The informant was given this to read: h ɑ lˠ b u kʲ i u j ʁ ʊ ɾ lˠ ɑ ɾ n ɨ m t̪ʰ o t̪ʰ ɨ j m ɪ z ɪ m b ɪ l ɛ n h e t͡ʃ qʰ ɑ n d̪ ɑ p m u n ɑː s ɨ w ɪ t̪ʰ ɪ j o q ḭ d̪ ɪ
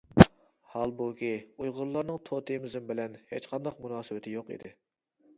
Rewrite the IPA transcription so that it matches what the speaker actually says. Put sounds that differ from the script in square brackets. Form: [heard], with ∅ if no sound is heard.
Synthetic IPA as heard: h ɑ lˠ b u kʲ i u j ʁ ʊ ɾ lˠ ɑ ɾ n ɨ [ŋ] t̪ʰ o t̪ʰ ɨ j m ɪ z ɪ m b ɪ l ɛ n h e t͡ʃ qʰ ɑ n d̪ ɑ [q] m u n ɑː s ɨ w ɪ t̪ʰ ɪ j o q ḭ d̪ ɪ